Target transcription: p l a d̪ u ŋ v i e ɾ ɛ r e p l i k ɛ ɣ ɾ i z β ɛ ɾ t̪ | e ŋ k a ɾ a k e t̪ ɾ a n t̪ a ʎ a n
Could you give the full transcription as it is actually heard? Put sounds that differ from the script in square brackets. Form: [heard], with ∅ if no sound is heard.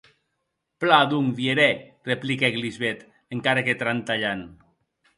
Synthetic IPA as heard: p l a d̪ u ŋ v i e ɾ ɛ r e p l i k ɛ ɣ [l] i z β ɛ [∅] t̪ | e ŋ k a ɾ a k e t̪ ɾ a n t̪ a ʎ a n

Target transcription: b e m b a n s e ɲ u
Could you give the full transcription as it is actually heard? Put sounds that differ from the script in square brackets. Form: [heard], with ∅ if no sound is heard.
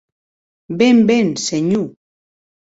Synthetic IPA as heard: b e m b [e] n s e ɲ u

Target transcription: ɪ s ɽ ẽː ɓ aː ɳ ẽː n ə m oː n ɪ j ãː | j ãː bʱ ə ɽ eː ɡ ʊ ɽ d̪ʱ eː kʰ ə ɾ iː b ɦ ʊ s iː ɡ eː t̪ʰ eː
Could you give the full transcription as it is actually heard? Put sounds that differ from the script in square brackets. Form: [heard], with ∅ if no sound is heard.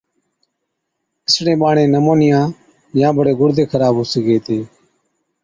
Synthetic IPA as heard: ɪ s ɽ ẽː ɓ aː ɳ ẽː n ə m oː n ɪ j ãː | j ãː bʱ ə ɽ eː ɡ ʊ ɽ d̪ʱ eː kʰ ə ɾ [aː] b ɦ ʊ s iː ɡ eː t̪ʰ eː

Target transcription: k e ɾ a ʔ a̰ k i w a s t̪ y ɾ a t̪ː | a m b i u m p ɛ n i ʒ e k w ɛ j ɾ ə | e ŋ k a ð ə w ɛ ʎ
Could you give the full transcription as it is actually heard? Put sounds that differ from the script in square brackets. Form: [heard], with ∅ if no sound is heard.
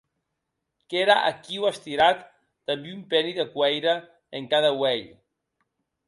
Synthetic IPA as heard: k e ɾ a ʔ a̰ k i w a s t̪ [i] ɾ a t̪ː | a m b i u m p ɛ n i [ð] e k w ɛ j ɾ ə | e ŋ k a ð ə w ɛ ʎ

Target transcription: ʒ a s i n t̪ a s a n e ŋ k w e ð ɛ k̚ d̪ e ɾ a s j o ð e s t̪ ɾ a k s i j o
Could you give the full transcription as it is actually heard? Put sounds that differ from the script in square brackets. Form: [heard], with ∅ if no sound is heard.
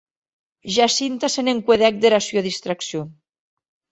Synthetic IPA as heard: ʒ a s i n t̪ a s [e] n e ŋ k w e ð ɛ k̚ d̪ e ɾ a s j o ð [i] s t̪ ɾ a k s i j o

